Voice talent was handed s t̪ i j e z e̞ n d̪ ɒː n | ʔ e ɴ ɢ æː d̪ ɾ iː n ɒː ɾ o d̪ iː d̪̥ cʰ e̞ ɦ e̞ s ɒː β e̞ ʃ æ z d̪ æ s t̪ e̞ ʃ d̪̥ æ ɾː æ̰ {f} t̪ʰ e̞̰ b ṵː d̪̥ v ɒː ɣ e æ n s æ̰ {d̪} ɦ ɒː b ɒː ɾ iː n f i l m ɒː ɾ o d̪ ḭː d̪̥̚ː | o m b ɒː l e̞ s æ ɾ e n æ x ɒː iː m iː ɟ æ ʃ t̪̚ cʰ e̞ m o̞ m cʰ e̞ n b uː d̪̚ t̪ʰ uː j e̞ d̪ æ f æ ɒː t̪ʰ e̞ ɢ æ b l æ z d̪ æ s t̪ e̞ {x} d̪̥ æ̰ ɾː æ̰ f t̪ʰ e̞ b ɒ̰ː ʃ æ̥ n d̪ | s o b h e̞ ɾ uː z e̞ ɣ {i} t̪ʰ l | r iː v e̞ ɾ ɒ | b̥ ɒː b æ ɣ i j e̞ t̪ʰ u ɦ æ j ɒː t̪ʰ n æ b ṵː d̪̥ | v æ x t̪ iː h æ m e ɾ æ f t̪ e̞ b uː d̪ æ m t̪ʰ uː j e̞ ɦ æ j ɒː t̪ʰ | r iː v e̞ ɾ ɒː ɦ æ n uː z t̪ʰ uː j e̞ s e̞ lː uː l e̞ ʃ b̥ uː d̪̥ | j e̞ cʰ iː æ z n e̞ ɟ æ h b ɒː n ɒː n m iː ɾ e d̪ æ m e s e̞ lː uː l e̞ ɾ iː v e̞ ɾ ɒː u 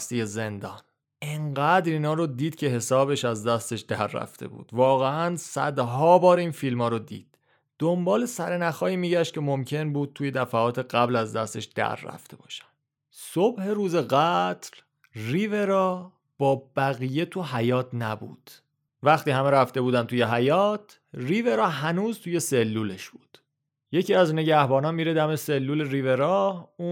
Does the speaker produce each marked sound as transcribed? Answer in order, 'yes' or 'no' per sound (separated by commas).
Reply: yes, yes, no, no